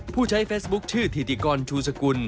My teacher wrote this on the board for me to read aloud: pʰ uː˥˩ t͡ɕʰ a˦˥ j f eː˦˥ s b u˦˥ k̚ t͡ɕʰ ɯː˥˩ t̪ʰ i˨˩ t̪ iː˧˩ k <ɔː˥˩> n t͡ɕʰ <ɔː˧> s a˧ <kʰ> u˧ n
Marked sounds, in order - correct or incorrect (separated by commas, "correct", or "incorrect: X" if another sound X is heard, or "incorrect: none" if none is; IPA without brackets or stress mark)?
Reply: incorrect: ɔː˧, incorrect: uː˧, incorrect: k